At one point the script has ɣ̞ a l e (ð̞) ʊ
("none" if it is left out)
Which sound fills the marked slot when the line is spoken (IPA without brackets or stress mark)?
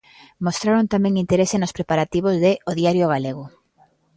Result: ɣ̞